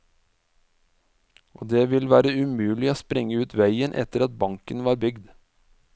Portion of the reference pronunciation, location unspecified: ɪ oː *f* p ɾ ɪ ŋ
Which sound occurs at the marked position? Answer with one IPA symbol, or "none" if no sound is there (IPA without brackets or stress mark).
s